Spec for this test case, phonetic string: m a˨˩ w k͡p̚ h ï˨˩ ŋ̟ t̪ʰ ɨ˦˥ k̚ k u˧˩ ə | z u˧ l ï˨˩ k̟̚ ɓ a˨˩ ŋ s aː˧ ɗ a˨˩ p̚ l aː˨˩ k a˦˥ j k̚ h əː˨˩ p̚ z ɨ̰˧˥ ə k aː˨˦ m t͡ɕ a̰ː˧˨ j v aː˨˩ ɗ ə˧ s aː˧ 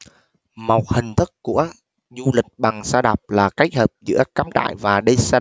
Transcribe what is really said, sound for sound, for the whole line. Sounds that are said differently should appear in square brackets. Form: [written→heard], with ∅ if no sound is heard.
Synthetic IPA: m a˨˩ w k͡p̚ h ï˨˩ ŋ̟ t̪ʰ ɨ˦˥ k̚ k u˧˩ ə | z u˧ l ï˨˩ k̟̚ ɓ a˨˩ ŋ s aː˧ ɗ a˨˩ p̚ l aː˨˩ k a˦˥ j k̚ h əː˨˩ p̚ z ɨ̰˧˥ ə k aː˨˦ m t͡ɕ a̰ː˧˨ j v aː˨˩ ɗ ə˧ s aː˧

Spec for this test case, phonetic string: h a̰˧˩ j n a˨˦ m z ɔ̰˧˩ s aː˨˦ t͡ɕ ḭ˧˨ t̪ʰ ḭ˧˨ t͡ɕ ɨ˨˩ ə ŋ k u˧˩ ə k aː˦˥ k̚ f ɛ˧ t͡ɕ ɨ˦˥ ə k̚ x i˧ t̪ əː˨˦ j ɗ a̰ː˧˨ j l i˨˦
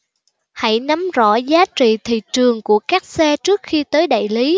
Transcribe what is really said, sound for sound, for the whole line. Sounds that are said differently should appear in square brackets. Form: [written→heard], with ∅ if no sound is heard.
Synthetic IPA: h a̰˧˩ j n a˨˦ m z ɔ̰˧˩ [s→z] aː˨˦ t͡ɕ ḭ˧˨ t̪ʰ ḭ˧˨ t͡ɕ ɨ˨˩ ə ŋ k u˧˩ ə k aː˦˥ k̚ [f→s] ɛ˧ t͡ɕ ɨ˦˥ ə k̚ x i˧ t̪ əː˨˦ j ɗ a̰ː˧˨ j l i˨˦

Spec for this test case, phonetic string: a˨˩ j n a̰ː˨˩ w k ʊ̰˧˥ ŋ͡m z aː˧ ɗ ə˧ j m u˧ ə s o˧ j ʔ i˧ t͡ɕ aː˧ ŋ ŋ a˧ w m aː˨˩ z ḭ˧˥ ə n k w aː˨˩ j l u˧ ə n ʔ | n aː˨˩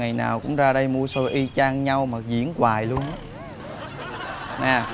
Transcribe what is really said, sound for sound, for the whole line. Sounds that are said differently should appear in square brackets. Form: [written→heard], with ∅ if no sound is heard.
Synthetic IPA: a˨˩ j n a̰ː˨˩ w k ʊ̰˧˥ ŋ͡m z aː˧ ɗ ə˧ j m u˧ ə s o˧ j ʔ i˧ t͡ɕ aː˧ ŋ [ŋ→ɲ] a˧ w m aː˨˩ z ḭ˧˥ ə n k w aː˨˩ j l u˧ ə n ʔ | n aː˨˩

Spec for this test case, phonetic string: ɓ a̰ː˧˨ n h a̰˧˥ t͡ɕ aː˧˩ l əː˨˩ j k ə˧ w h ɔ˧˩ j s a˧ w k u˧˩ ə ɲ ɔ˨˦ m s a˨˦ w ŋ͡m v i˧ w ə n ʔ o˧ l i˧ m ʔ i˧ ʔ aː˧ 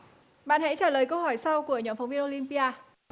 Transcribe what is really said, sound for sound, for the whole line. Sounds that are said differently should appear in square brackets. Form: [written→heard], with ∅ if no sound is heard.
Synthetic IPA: ɓ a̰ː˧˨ n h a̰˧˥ t͡ɕ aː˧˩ l əː˨˩ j k ə˧ w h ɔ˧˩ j s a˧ w k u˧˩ ə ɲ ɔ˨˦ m [s→f] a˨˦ w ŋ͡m v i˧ [w→∅] ə n ʔ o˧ l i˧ m [ʔ→p] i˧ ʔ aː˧

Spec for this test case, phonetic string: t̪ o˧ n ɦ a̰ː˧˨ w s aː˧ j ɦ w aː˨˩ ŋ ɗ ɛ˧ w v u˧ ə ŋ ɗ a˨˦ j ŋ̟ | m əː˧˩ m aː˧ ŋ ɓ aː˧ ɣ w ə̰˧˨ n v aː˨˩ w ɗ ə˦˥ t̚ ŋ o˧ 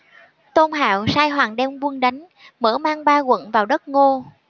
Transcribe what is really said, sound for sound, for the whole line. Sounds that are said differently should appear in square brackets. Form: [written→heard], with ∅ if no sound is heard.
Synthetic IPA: t̪ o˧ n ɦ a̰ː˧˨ w s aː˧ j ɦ w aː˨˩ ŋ ɗ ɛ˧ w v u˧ ə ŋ ɗ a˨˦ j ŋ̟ | m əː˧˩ m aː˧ ŋ ɓ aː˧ ɣ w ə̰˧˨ n v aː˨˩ w ɗ ə˦˥ t̚ ŋ o˧

